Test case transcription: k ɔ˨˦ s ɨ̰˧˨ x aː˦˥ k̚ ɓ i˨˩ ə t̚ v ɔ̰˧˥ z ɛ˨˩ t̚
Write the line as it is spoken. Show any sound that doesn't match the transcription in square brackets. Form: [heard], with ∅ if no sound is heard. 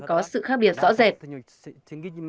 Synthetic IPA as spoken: k ɔ˨˦ s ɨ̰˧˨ x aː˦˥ k̚ ɓ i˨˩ ə t̚ [z] ɔ̰˧˥ z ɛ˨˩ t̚